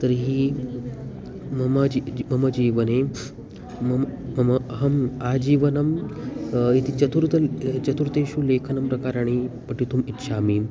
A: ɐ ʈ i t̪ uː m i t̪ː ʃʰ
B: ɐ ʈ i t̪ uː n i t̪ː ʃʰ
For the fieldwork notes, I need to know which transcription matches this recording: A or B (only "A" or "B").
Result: A